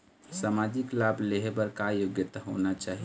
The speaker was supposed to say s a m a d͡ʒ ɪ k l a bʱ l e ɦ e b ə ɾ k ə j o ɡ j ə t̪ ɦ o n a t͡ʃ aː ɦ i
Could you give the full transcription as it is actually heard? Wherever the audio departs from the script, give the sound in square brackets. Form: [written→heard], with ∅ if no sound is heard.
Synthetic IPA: s a m a d͡ʒ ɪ k l a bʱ l e ɦ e b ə ɾ k [ə→a] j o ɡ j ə t̪ ɦ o n a t͡ʃ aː ɦ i